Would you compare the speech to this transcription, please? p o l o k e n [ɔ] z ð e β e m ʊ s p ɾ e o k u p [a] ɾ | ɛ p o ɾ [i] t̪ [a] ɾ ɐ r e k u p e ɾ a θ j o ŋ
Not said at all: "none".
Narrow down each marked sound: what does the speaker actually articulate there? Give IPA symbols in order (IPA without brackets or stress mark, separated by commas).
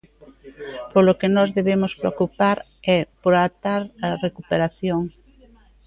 ɔ, a, a, a